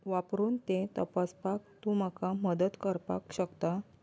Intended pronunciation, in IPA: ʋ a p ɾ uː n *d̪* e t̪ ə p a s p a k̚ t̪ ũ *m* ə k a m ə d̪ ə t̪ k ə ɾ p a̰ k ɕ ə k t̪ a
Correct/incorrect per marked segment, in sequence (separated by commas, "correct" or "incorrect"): incorrect, correct